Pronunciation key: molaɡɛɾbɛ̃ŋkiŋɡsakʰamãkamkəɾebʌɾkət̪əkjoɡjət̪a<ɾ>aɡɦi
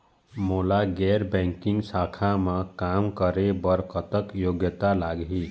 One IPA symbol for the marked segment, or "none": l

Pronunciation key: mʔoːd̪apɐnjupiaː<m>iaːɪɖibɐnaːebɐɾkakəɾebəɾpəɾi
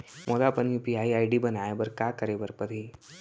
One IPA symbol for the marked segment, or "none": none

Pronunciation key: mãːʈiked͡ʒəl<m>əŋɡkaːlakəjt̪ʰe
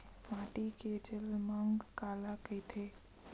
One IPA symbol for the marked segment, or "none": m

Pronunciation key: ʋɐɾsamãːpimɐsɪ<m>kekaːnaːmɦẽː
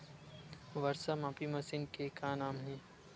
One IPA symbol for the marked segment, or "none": n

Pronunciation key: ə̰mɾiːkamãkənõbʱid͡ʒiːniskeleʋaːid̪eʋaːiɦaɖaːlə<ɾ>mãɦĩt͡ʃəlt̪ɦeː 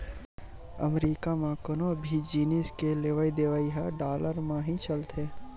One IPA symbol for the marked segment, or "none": ɾ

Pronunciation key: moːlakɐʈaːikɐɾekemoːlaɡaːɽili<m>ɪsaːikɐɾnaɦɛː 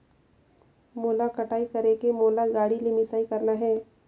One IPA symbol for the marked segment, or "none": m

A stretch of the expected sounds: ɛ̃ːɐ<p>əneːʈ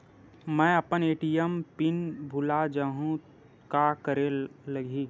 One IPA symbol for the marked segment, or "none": p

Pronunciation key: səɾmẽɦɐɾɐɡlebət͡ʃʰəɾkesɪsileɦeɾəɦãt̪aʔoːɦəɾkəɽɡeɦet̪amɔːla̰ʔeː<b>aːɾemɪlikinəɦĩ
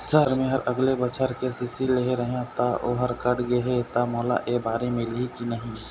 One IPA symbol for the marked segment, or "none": b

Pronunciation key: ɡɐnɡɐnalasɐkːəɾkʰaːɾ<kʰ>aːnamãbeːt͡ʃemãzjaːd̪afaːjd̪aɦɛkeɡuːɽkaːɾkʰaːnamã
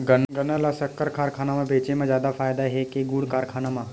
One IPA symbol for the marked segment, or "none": kʰ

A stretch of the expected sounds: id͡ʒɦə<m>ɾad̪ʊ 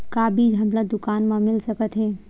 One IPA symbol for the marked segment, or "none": m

